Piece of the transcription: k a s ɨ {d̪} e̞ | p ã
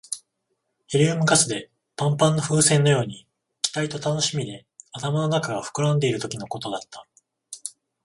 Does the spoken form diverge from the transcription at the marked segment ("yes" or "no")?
no